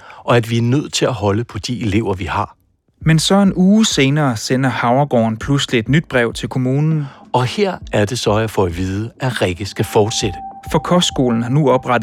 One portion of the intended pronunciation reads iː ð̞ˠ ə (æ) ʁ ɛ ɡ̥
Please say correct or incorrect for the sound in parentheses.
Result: correct